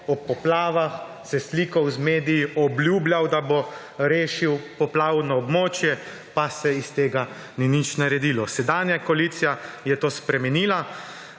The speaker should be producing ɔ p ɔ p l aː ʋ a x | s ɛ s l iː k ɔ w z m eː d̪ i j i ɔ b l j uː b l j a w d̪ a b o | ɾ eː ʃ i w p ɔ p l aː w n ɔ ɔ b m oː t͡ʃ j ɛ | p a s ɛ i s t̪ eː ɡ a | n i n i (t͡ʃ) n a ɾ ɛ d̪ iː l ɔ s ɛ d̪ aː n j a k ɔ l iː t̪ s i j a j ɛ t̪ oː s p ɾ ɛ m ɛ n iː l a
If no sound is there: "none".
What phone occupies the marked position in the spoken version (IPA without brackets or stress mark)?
t͡ʃ